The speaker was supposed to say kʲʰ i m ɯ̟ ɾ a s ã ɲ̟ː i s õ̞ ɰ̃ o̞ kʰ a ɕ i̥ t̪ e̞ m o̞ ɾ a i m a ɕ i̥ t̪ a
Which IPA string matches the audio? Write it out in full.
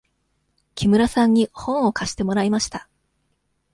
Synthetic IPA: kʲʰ i m ɯ̟ ɾ a s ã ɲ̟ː i h õ̞ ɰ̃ o̞ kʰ a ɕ i̥ t̪ e̞ m o̞ ɾ a i m a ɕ i̥ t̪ a